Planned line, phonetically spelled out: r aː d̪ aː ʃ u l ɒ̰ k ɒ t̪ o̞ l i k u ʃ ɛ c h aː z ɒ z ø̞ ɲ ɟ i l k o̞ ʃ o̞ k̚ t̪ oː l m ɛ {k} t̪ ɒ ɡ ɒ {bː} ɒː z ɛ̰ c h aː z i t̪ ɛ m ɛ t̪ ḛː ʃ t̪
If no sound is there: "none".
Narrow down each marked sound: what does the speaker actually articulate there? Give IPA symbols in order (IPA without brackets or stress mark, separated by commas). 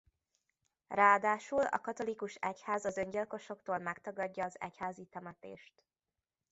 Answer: k, ɟː